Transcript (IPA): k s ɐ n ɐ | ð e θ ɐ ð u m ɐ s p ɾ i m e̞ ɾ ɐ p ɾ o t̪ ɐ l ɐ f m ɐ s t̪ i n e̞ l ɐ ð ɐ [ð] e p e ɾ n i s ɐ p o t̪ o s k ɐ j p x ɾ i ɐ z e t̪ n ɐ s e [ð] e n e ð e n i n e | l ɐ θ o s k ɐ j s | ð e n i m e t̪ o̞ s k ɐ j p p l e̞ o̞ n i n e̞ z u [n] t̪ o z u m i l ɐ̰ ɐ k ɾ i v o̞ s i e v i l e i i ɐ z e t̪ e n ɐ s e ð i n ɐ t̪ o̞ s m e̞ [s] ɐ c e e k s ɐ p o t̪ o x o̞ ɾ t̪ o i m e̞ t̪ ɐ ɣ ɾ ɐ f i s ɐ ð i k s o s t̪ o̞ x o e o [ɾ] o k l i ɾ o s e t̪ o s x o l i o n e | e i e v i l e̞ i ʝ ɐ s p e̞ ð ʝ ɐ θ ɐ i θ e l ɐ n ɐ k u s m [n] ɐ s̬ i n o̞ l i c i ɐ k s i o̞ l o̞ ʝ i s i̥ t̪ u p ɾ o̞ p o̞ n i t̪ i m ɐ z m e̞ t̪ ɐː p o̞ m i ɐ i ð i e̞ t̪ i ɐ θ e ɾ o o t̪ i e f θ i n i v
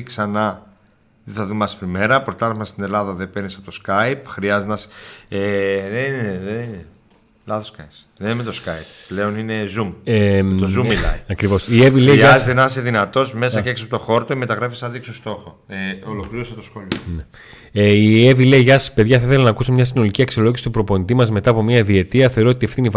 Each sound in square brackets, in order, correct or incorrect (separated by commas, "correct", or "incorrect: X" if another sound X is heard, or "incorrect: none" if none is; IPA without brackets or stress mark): correct, correct, incorrect: m, correct, incorrect: l, incorrect: ɲ